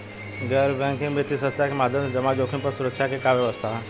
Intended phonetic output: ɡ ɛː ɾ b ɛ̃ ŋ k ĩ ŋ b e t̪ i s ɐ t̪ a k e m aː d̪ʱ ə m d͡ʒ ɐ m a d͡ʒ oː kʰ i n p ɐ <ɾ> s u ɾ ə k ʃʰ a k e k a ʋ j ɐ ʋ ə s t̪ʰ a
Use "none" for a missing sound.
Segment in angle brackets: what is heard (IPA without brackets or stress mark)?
ɾ